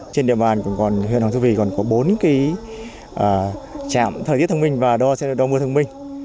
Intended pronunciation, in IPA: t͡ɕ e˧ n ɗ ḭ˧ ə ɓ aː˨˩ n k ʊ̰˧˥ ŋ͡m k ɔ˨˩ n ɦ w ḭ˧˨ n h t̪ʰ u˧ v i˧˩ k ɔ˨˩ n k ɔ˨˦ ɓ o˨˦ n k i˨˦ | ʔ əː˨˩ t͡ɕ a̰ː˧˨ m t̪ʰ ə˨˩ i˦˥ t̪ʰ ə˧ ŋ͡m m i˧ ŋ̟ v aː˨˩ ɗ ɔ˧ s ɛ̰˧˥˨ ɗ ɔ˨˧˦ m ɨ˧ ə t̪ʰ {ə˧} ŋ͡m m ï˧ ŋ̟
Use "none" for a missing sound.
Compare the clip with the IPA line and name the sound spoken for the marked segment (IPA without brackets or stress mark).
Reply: ə˧